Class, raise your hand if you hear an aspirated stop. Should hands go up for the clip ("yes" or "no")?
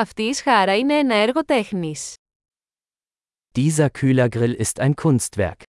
yes